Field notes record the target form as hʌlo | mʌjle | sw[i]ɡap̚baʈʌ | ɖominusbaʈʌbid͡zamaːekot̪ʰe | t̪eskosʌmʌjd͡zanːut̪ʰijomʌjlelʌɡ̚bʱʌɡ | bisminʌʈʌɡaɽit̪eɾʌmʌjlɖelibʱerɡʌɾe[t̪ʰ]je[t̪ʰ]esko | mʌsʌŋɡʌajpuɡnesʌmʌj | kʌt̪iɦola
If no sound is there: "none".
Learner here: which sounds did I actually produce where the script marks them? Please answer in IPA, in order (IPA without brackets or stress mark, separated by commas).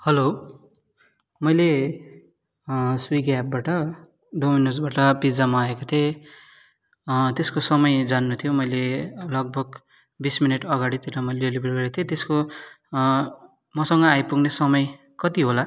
i, t̪ʰ, t̪